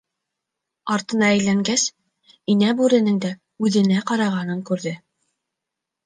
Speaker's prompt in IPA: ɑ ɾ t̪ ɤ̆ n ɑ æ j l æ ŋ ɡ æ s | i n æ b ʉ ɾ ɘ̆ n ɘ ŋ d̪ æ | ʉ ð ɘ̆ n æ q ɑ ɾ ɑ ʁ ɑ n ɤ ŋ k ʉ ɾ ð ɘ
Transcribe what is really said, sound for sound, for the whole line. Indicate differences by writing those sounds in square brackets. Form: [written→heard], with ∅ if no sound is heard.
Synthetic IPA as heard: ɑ ɾ t̪ ɤ̆ n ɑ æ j l æ ŋ ɡ æ s | i n æ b ʉ ɾ ɘ̆ n ɘ ŋ d̪ æ | ʉ ð ɘ̆ n æ q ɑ ɾ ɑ ʁ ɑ n ɤ ŋ k ʉ ɾ ð ɘ